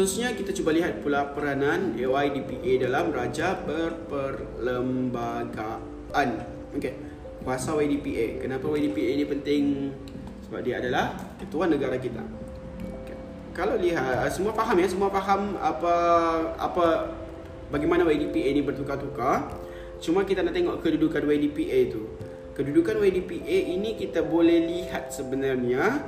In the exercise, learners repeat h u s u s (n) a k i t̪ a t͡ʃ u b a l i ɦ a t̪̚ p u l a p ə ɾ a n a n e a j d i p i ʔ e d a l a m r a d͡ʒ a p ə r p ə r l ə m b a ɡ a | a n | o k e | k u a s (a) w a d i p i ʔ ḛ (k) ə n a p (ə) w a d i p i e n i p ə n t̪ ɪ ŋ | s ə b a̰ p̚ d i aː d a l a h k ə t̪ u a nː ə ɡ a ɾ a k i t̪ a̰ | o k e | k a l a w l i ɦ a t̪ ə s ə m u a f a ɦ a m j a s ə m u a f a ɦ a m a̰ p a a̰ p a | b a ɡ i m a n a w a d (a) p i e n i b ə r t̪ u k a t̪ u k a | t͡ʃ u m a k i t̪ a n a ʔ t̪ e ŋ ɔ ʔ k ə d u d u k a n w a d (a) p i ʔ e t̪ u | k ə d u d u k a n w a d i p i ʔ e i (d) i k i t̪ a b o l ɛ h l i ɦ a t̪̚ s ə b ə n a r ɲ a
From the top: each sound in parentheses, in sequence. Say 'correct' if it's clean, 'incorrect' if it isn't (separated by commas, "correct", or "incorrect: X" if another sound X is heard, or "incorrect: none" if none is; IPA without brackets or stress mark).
incorrect: ɲ, correct, correct, incorrect: a, incorrect: i, incorrect: i, incorrect: n